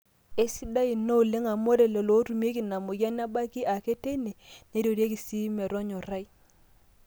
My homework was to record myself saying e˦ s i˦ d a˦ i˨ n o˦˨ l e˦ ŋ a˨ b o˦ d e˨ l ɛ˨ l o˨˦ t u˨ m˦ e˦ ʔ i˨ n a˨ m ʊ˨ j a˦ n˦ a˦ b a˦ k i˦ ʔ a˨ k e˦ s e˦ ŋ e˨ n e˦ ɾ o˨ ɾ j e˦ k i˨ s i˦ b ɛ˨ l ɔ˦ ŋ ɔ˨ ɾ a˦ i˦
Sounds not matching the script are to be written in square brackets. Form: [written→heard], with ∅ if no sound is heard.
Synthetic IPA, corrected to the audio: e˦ s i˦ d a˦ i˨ n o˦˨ l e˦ ŋ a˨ [b→m] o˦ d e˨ l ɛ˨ l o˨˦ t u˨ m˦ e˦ [ʔ→k] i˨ n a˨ m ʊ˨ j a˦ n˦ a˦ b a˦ k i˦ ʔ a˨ k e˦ [s→t] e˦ [ŋ→n] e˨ n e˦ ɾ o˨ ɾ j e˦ k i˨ s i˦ [b→m] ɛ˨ [l→ɾ] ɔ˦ [ŋ→ɲ] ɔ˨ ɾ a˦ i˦